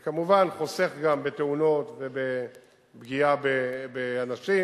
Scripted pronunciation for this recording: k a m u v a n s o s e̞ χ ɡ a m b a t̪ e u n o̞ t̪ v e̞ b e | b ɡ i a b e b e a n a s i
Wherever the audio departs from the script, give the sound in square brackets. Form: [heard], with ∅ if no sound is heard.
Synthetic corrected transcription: k a m u v a n [χ] o s e̞ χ ɡ a m b [e] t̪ e u n o̞ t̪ v e̞ b e | b ɡ i a b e b e a n a [ʃ] i